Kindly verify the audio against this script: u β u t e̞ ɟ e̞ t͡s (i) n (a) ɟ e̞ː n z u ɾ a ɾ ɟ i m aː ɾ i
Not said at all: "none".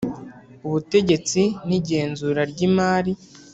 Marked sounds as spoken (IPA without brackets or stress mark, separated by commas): i, i